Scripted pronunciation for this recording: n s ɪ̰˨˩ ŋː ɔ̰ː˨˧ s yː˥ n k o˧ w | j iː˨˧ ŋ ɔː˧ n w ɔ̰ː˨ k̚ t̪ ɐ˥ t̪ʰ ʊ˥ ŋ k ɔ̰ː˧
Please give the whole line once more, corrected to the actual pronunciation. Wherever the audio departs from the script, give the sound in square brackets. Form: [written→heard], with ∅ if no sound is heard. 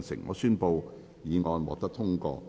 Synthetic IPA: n s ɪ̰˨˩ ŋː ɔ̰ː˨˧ s yː˥ n [k→p] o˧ w | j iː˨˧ ŋ ɔː˧ n w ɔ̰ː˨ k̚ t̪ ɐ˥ t̪ʰ ʊ˥ ŋ k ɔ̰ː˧

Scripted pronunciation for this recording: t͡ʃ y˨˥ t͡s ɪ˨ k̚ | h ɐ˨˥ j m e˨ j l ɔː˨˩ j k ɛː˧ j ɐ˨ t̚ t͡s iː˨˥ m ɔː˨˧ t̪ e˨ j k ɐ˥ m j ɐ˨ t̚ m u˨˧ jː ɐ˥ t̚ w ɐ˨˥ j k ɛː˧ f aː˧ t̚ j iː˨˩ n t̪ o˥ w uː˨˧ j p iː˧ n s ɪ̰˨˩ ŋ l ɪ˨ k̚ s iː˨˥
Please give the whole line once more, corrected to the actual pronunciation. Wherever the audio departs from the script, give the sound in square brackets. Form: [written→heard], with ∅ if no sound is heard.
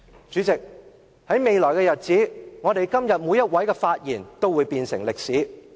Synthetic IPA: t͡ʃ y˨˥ t͡s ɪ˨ k̚ | h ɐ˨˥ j m e˨ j l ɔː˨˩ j k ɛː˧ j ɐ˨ t̚ t͡s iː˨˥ [m→ŋ] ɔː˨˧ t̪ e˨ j k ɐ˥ m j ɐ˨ t̚ m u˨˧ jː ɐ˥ t̚ w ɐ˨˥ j k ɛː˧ f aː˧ t̚ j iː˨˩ n t̪ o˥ w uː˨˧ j p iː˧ n s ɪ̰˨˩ ŋ l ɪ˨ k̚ s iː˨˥

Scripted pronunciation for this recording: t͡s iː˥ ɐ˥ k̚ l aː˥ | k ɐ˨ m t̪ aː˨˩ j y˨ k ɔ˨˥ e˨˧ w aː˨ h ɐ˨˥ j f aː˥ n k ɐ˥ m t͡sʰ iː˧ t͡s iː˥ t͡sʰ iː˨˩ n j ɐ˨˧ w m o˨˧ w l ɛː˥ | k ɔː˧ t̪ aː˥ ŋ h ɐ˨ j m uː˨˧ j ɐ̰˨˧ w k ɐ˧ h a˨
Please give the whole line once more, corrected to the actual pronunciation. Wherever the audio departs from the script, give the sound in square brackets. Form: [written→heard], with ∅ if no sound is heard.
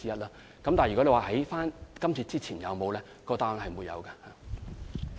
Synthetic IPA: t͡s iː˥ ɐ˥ [k̚→t̚] l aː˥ | k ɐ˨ m t̪ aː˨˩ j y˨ k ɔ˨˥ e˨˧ w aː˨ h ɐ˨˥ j f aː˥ n k ɐ˥ m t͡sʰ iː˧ t͡s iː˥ t͡sʰ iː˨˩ n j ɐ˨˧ w m o˨˧ w l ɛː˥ | k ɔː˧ t̪ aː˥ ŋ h ɐ˨ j m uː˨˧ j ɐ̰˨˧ w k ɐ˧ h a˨

